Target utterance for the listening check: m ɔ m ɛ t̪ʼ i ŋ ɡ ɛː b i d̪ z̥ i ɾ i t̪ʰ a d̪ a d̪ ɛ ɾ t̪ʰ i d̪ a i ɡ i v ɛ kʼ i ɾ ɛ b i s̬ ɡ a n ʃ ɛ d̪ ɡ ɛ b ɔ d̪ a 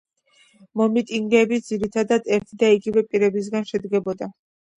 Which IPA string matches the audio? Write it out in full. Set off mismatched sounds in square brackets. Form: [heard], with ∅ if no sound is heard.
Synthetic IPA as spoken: m ɔ m [i] t̪ʼ i ŋ ɡ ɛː b i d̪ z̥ i ɾ i t̪ʰ a d̪ a d̪ ɛ ɾ t̪ʰ i d̪ a i ɡ i v ɛ [pʼ] i ɾ ɛ b i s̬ ɡ a n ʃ ɛ d̪ ɡ ɛ b ɔ d̪ a